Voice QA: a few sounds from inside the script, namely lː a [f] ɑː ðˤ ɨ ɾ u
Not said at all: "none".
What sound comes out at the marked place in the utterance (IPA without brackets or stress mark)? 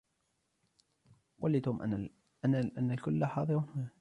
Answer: ħ